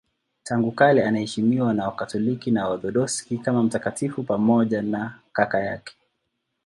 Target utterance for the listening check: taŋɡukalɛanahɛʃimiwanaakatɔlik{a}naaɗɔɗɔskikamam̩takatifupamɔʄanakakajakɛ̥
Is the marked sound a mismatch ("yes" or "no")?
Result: yes